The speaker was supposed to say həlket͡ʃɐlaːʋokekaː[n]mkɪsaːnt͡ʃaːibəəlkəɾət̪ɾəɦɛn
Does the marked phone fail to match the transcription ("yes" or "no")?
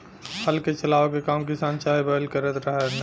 yes